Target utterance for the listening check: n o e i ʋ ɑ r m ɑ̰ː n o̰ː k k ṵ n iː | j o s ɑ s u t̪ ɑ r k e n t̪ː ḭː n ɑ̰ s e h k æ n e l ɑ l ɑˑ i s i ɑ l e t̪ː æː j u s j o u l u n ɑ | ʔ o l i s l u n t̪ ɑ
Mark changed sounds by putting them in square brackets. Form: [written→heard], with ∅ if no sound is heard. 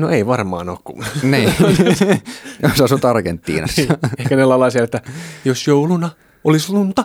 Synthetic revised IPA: n o e i ʋ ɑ r m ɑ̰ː n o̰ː k k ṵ n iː | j o s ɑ s u t̪ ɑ r k e n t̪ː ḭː n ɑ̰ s e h k æ n e l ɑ l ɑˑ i s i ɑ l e t̪ː [æː→æ] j [u→o] s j o u l u n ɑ | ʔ o l i s l u n t̪ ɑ